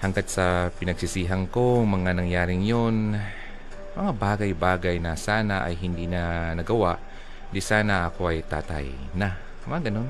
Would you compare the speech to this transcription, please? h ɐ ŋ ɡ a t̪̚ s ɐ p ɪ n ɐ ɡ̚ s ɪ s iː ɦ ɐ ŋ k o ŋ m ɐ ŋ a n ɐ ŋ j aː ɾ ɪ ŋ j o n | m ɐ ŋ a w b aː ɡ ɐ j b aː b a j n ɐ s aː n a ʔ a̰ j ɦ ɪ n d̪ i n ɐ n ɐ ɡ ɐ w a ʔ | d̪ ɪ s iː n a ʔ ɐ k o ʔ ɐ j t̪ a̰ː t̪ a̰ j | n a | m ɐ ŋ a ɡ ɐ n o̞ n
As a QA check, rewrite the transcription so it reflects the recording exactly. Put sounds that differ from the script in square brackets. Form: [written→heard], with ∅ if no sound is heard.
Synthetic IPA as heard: h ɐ ŋ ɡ a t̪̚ s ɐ p ɪ n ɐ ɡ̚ s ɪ s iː ɦ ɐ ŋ k o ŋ m ɐ ŋ a n ɐ ŋ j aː ɾ ɪ ŋ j o n | m ɐ ŋ a [w→∅] b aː ɡ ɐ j b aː [b→ɡ] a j n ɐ s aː n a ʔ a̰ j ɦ ɪ n d̪ i n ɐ n ɐ ɡ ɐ w a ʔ | d̪ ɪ s [iː→aː] n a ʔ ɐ k o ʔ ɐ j t̪ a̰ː t̪ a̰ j | n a | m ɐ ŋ a ɡ ɐ n o̞ n